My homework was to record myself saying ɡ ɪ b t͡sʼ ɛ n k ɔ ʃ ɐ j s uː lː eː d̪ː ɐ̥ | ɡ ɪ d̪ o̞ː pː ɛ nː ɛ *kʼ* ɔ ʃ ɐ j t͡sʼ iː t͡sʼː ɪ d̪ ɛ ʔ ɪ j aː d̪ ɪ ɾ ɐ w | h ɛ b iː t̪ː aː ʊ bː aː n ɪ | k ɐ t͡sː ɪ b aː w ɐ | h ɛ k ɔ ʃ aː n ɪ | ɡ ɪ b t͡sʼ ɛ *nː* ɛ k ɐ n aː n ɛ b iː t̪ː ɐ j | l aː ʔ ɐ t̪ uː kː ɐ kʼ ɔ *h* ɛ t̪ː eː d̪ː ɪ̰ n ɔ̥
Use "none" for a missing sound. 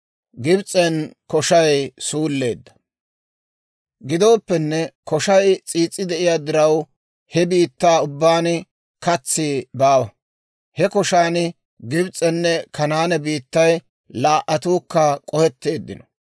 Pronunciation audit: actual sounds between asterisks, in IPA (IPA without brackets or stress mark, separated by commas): k, nː, h